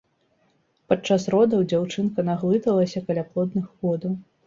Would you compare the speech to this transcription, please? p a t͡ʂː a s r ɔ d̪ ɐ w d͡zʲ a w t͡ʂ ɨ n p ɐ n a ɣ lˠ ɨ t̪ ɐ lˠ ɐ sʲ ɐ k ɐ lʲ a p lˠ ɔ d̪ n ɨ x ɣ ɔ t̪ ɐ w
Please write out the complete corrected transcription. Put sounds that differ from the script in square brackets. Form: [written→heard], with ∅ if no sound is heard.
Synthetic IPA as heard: p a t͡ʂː a s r ɔ d̪ ɐ w d͡zʲ a w t͡ʂ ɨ n [p→k] ɐ n a ɣ lˠ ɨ t̪ ɐ lˠ ɐ sʲ ɐ k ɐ lʲ a p lˠ ɔ d̪ n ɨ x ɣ ɔ [t̪→d̪] ɐ w

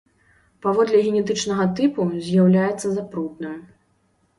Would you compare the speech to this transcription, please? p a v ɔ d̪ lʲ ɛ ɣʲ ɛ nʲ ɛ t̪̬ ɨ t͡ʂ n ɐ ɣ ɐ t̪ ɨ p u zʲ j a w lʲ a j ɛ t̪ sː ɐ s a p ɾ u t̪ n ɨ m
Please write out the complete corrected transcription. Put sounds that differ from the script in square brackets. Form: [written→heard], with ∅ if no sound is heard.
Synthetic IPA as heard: p a v ɔ d̪ lʲ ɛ ɣʲ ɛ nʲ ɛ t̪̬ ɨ t͡ʂ n ɐ ɣ ɐ t̪ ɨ p u zʲ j a w lʲ a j ɛ t̪ sː ɐ [s→z] a p ɾ u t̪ n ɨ m

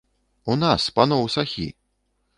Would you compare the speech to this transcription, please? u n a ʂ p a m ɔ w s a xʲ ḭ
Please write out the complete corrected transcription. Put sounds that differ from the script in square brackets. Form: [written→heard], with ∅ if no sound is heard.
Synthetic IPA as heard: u n a [ʂ→s] p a [m→n] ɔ w s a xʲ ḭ

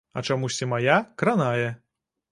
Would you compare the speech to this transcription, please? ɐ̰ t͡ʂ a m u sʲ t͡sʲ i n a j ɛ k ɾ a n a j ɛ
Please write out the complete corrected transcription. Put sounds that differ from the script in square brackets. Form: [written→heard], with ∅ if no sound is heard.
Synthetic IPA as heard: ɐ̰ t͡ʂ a m u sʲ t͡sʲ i [n→m] a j [ɛ→a] k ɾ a n a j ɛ

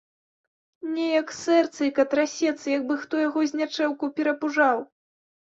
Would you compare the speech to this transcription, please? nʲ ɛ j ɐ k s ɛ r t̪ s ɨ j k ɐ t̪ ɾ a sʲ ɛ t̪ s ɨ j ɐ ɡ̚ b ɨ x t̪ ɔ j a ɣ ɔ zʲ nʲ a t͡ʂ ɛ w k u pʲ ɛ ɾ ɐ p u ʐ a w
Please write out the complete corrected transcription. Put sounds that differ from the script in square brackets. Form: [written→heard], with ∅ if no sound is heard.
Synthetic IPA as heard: nʲ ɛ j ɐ k s ɛ r t̪ s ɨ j k ɐ t̪ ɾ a sʲ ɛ t̪ s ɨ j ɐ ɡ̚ b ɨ x t̪ ɔ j a ɣ ɔ zʲ nʲ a t͡ʂ ɛ w k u pʲ ɛ ɾ ɐ p u ʐ a w

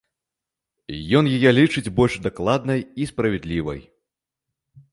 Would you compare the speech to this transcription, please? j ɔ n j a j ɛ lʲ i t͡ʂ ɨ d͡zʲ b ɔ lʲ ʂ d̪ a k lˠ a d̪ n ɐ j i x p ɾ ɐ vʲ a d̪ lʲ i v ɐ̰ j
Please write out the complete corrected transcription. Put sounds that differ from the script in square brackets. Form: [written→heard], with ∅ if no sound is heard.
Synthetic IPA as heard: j ɔ n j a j ɛ lʲ i t͡ʂ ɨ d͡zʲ b ɔ lʲ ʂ d̪ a k lˠ a d̪ n ɐ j i [x→s] p ɾ ɐ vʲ [a→ɛ] d̪ lʲ i v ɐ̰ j

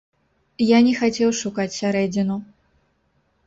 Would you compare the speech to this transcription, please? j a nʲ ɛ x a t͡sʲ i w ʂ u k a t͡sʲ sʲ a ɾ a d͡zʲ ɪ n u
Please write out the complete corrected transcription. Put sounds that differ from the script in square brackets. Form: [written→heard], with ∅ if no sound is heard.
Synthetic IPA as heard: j a nʲ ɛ x a t͡sʲ [i→ɛ] w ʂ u k a t͡sʲ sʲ a ɾ [a→ɛ] d͡zʲ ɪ n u

